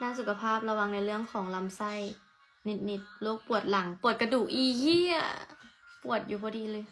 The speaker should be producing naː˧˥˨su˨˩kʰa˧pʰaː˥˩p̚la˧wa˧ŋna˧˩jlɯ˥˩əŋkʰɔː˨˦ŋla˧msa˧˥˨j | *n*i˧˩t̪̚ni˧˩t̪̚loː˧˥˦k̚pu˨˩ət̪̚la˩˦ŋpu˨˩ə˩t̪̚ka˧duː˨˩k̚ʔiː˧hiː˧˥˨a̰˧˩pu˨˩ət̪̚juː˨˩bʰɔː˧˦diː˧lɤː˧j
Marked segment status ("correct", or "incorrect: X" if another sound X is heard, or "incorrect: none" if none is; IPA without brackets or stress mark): correct